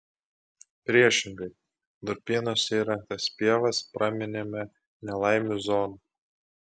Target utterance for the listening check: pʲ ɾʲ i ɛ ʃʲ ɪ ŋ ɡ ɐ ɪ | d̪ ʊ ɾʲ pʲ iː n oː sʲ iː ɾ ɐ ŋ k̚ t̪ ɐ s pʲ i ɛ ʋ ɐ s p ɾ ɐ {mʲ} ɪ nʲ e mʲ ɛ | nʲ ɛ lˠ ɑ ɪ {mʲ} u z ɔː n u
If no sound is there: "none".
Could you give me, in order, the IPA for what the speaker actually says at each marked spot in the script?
mʲ, mʲ

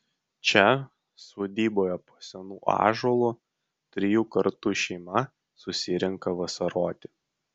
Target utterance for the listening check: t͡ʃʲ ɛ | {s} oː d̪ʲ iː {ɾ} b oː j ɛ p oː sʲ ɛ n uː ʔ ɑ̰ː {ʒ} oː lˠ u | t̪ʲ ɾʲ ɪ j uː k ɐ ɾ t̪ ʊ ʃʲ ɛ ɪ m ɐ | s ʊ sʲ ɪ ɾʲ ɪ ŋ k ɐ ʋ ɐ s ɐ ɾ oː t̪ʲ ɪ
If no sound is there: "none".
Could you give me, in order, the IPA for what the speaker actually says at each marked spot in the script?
s, none, ʒ

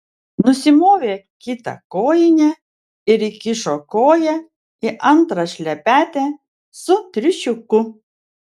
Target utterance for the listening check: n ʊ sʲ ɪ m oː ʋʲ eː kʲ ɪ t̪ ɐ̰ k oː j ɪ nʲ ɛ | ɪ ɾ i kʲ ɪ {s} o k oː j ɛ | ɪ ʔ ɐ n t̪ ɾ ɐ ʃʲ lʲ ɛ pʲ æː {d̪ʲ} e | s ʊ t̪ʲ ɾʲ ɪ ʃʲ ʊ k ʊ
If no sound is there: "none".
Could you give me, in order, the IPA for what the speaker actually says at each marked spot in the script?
ʃ, t̪ʲ

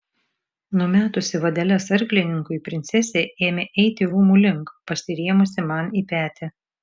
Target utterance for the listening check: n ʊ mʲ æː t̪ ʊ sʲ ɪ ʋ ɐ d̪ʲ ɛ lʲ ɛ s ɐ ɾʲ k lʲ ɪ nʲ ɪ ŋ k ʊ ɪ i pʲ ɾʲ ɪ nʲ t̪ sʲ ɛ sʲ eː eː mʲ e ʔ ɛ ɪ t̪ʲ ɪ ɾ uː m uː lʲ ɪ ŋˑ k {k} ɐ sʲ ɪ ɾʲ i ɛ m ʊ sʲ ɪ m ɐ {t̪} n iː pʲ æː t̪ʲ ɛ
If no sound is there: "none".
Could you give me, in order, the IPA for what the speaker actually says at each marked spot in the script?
p, none

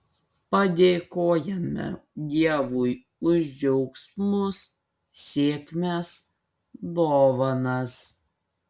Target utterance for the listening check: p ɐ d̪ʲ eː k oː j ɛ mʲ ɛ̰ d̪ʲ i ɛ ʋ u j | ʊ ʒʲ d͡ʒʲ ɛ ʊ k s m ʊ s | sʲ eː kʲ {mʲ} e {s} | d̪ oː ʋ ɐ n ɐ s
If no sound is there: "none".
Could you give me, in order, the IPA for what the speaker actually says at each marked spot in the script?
mʲ, s

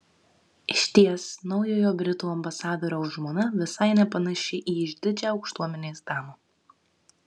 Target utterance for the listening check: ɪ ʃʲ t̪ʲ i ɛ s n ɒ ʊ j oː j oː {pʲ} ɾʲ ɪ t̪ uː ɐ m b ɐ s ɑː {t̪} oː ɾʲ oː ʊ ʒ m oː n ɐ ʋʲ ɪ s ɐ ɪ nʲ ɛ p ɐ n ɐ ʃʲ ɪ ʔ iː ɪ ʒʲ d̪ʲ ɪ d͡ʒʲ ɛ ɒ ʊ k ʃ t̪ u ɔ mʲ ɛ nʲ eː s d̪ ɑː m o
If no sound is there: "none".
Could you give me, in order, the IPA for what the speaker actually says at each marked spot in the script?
bʲ, d̪

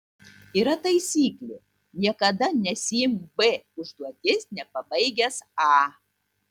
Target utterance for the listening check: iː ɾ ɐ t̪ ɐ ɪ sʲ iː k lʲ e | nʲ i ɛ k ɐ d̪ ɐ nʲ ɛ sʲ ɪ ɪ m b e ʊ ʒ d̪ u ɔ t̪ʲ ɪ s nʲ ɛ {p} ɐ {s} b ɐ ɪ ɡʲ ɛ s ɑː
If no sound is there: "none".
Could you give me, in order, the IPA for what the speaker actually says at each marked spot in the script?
p, none

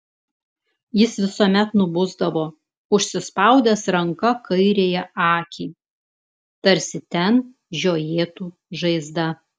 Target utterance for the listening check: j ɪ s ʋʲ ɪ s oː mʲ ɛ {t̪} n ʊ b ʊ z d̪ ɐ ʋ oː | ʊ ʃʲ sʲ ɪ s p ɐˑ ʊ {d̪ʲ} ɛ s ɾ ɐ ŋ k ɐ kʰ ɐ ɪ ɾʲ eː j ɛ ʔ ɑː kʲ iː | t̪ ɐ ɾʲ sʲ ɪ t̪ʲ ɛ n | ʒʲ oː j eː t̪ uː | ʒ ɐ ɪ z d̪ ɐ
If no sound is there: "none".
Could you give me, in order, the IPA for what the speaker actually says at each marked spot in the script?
t̪, d̪ʲ

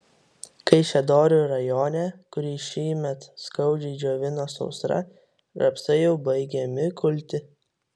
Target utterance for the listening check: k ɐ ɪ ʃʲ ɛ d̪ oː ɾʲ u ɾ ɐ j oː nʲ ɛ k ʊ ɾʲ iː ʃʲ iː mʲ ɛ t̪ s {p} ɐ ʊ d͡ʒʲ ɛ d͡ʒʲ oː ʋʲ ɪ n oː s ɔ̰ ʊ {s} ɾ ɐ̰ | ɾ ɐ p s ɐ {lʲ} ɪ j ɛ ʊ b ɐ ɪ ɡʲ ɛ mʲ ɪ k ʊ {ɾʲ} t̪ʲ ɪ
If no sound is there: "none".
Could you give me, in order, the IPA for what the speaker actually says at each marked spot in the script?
k, s, none, lʲ

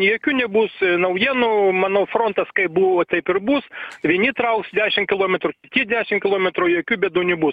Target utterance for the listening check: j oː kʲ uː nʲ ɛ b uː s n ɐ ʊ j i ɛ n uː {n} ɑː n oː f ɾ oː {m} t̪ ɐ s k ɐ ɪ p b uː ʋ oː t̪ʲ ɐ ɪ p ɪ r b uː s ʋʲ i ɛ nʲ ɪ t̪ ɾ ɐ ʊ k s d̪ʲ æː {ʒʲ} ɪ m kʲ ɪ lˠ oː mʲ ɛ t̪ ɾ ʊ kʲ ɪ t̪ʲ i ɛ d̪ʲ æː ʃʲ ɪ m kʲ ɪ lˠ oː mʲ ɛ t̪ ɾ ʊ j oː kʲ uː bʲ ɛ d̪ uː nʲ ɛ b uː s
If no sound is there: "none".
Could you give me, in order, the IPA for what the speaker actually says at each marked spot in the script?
m, n, ʃʲ

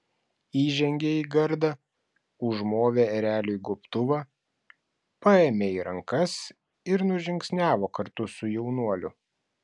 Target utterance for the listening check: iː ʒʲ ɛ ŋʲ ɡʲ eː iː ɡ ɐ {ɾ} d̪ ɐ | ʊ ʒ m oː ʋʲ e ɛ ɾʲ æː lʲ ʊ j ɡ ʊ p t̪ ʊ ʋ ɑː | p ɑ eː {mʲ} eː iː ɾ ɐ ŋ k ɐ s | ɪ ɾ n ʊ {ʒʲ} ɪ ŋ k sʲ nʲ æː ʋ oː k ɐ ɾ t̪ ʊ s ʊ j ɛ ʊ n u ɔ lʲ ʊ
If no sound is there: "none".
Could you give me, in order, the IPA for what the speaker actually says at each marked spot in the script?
ɾ, mʲ, ʒʲ

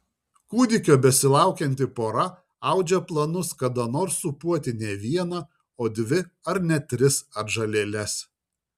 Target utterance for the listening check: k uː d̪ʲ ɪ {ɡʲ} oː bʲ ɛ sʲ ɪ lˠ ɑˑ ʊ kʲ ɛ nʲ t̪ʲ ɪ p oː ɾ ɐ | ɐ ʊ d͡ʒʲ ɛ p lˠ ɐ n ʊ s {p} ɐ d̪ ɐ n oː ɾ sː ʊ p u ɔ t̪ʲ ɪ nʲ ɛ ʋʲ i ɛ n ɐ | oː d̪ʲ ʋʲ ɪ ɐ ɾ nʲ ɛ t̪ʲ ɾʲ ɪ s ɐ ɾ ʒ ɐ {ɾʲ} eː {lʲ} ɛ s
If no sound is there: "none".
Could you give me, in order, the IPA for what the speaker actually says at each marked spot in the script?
kʲ, k, lʲ, lʲ

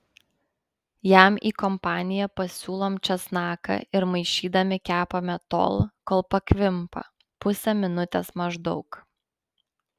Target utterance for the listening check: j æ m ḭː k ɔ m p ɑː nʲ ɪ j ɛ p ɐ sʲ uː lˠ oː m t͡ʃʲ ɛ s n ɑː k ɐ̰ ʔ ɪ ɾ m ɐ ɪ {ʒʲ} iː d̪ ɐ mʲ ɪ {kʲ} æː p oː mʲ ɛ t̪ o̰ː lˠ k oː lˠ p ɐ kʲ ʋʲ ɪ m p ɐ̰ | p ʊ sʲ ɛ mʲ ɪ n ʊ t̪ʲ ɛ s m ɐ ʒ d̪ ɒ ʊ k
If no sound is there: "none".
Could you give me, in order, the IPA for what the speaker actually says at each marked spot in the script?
ʃʲ, kʲ

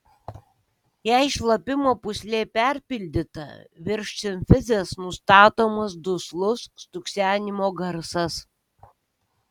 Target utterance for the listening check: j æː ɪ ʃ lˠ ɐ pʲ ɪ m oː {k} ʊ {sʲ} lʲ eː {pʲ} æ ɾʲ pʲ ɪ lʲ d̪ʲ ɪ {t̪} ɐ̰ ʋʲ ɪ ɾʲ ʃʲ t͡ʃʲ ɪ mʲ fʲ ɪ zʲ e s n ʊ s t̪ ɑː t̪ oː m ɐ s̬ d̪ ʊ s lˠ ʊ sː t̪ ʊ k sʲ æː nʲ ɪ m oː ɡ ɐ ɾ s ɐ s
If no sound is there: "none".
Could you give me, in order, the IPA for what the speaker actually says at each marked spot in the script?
p, sʲ, pʲ, t̪

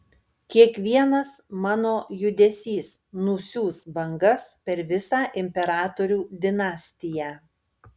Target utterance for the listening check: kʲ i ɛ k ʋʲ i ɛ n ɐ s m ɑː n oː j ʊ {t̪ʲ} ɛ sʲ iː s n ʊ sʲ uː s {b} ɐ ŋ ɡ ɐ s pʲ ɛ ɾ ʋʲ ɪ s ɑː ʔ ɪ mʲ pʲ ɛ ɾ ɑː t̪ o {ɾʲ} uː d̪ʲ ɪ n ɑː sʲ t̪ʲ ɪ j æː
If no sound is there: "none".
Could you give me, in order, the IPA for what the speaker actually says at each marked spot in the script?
d̪ʲ, b, ɾʲ

